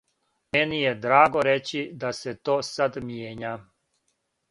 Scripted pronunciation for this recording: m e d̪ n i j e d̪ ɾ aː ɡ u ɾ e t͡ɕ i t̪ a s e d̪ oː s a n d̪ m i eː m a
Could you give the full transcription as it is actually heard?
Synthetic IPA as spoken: m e n i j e d̪ ɾ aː ɡ o ɾ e t͡ɕ i d̪ a s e t̪ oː s a d̪ m j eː ɲ a

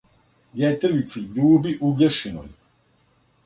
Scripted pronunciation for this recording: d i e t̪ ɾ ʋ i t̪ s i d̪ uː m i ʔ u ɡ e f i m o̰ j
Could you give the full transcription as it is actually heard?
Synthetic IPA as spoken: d j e t̪ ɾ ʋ i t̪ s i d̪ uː b i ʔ u ɡ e ʃ i n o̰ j

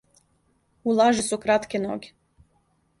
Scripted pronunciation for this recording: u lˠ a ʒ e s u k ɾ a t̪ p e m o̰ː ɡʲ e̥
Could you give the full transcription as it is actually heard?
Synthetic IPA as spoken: u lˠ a ʒ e s u k ɾ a t̪ k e n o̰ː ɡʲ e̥

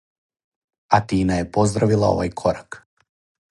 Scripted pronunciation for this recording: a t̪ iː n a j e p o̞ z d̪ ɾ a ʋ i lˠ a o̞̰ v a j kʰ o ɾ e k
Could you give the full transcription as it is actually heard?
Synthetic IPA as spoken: a t̪ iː n a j e p o̞ z d̪ ɾ a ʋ i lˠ a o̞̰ ʋ a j kʰ o ɾ a k

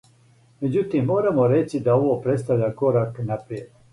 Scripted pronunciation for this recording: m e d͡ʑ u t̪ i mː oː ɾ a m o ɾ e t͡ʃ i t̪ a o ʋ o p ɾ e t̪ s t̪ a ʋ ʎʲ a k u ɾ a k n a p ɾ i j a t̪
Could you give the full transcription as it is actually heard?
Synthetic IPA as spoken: m e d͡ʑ u t̪ i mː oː ɾ a m o ɾ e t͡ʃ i d̪ a o ʋ o p ɾ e t̪ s t̪ a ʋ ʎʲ a k o ɾ a k n a p ɾ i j e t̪

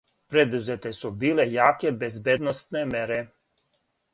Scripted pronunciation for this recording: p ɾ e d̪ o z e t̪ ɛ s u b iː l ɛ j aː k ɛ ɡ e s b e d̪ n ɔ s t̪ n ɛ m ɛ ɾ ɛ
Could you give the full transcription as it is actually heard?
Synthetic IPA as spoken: p ɾ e d̪ u z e t̪ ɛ s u b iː l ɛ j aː k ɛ b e z b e d̪ n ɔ s t̪ n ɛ m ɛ ɾ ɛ

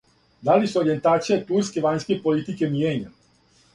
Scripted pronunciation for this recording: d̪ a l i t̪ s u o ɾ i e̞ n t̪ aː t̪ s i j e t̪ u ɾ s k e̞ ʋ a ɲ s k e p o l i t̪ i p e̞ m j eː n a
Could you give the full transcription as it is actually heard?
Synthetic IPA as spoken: d̪ a l i s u o ɾ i e̞ n t̪ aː t̪ s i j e t̪ u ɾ s k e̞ ʋ a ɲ s k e p o l i t̪ i k e̞ m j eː ɲ a

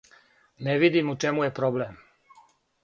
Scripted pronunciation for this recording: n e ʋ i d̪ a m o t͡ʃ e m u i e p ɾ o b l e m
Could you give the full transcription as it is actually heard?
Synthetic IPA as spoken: n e ʋ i d̪ i m u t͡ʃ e m u j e p ɾ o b l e m

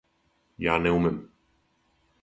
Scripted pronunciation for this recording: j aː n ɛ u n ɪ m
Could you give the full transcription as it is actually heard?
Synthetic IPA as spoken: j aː n ɛ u m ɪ m

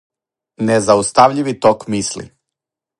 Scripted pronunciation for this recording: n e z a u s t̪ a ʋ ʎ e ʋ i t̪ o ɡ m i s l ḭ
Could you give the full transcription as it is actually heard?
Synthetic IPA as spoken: n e z a u s t̪ a ʋ ʎ i ʋ i t̪ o k m i s l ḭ

